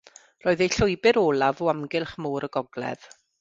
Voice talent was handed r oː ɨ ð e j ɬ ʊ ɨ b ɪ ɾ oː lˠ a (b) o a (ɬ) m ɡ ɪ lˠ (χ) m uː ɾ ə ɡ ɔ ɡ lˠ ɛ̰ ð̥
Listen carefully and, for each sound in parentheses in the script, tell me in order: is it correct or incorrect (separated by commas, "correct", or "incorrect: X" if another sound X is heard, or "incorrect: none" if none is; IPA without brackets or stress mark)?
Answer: incorrect: v, incorrect: none, correct